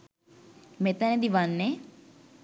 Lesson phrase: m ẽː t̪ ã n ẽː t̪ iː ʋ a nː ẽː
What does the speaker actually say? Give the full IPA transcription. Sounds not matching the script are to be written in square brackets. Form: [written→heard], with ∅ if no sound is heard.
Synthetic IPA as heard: m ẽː t̪ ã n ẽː [t̪→d̪] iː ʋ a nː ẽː